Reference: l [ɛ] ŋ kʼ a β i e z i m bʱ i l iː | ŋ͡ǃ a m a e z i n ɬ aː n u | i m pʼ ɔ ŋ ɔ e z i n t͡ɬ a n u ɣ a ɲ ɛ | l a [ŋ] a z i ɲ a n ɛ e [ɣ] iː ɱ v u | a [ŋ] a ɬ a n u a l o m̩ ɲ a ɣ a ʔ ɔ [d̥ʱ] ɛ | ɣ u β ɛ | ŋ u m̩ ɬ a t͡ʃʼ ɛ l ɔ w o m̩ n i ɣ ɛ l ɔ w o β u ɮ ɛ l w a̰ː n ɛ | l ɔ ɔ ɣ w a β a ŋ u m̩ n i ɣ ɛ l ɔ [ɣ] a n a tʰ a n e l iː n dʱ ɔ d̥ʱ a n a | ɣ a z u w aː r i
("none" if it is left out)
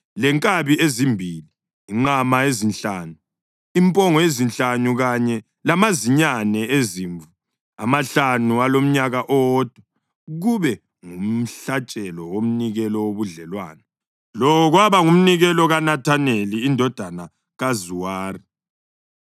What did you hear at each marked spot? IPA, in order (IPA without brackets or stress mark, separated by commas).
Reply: ɛ, m, z, m, d̥ʱ, ɣ